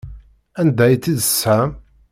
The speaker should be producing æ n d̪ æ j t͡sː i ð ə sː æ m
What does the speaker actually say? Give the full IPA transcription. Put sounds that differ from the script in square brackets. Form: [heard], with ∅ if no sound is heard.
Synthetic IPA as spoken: æ n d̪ æ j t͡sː i ð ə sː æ m